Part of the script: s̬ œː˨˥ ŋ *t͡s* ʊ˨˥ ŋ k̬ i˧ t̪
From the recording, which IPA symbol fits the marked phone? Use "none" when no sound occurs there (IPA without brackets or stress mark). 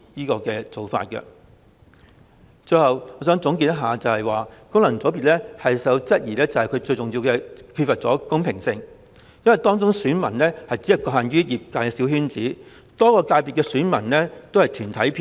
t͡s